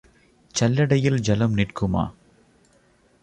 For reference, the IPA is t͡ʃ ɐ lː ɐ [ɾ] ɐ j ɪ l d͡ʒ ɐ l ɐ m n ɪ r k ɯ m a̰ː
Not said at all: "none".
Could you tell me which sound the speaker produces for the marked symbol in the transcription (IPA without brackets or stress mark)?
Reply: ɽ